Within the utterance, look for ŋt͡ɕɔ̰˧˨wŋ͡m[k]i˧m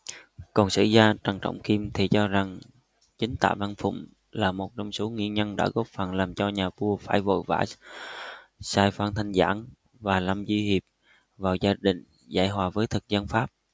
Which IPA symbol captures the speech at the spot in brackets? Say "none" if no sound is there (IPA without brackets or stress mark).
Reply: k